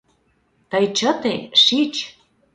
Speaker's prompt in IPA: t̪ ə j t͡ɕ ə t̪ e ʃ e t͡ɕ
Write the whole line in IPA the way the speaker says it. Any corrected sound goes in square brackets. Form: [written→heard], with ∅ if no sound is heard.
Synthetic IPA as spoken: t̪ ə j t͡ɕ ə t̪ e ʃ [e→i] t͡ɕ